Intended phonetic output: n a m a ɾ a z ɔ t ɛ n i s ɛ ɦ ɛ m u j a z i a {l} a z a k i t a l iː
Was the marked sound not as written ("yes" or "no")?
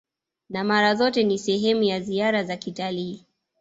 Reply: yes